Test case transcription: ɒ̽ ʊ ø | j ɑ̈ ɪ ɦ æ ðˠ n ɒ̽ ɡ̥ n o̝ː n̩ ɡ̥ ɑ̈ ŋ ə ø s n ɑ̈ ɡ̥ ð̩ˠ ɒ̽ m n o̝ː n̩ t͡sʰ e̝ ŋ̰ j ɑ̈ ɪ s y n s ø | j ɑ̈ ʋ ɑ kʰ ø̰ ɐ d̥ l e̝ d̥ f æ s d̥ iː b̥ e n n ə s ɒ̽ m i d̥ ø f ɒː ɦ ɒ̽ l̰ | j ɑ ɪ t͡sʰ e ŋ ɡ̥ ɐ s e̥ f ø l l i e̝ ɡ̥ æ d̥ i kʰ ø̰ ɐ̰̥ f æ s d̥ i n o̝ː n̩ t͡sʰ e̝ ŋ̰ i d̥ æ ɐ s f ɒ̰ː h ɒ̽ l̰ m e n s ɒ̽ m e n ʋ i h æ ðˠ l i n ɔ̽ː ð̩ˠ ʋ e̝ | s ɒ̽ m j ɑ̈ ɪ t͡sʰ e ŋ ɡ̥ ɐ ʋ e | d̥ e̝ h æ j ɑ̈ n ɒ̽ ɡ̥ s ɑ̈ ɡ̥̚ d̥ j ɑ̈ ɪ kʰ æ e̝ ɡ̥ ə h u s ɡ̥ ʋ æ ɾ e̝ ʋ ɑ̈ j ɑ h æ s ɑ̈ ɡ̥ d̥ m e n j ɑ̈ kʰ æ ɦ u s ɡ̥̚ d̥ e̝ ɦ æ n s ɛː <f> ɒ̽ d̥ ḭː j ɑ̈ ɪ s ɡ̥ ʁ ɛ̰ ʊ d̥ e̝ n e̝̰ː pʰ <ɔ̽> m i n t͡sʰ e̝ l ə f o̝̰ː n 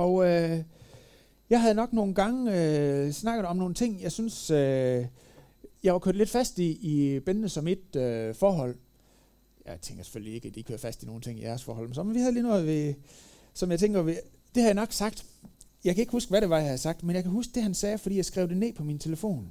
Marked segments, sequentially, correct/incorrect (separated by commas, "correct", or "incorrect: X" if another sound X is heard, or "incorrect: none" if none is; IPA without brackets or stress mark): correct, incorrect: ɒ̽